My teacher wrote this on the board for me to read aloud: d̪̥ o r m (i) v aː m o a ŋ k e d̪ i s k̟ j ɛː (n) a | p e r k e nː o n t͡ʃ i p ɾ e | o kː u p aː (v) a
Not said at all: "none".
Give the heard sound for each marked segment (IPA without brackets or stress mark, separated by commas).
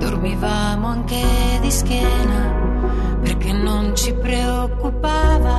i, n, v